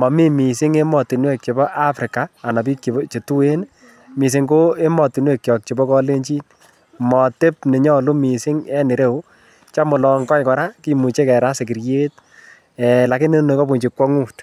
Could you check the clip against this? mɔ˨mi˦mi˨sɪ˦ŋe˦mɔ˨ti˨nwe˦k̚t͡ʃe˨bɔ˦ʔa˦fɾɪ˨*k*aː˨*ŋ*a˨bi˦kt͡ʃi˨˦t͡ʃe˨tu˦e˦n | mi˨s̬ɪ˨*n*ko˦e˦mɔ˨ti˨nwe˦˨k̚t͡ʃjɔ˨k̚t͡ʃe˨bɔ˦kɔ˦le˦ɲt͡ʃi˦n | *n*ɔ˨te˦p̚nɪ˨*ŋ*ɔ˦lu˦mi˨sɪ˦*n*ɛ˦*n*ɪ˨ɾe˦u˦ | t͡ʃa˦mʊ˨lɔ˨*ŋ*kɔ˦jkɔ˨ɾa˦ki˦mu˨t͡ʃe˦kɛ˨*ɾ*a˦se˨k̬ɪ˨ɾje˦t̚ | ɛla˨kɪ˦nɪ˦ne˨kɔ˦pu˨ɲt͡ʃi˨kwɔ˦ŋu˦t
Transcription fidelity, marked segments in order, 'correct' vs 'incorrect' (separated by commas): correct, incorrect, incorrect, incorrect, incorrect, incorrect, correct, correct, correct